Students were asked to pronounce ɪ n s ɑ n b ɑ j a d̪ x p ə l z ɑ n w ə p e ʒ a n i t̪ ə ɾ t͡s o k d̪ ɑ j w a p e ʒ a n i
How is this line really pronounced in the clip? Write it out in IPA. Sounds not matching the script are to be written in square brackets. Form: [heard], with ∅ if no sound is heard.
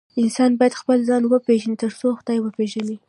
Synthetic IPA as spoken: ɪ n s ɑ n b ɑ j a d̪ x p ə l z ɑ n w ə p e ʒ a n i t̪ ə ɾ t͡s o [x] d̪ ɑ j w [ə] p e ʒ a n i